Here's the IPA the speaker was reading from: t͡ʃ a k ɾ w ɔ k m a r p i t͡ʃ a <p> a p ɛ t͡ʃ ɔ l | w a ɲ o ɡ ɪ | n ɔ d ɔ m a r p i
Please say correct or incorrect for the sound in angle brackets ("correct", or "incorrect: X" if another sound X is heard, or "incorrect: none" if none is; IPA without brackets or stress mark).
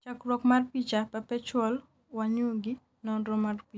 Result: correct